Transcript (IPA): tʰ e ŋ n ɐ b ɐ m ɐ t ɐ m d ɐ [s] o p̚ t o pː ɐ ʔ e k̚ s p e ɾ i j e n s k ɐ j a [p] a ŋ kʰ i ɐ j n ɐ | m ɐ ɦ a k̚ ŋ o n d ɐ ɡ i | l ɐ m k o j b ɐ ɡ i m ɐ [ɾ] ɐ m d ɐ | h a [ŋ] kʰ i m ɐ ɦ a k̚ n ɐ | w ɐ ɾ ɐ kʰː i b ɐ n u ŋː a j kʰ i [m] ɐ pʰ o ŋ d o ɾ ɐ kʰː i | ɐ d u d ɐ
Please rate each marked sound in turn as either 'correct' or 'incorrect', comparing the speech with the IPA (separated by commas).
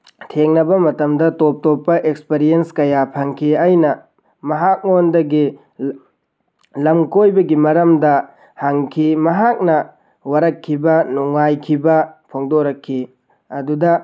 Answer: incorrect, incorrect, correct, correct, incorrect